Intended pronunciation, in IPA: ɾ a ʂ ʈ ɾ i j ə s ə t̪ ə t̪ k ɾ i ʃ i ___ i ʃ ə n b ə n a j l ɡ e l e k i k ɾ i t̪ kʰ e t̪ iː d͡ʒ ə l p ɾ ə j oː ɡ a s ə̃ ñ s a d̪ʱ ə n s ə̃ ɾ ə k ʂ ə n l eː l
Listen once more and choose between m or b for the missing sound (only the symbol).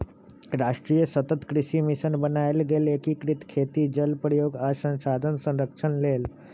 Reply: m